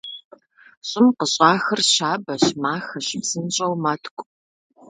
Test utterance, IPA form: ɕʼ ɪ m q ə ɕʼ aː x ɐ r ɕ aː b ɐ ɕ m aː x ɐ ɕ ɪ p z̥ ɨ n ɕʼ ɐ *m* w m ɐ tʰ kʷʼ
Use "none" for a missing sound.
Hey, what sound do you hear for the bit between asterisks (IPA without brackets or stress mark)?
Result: none